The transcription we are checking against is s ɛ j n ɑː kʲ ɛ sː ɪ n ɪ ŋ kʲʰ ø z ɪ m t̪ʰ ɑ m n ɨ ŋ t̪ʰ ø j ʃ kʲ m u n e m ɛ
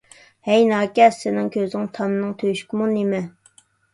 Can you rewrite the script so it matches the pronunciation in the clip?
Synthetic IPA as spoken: h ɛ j n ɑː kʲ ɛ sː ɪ n ɪ ŋ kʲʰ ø z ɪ ŋ t̪ʰ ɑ m n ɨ ŋ t̪ʰ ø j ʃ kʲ m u n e m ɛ